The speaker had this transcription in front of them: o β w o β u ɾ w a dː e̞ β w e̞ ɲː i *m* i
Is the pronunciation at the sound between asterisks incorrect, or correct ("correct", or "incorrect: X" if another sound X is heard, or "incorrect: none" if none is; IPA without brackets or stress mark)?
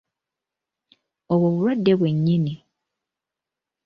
incorrect: n